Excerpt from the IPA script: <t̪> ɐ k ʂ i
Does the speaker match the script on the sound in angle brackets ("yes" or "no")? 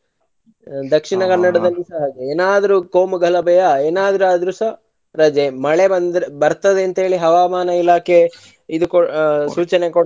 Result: no